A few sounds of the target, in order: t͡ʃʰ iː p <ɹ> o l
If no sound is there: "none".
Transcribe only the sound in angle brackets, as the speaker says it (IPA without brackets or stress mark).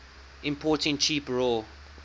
ɹ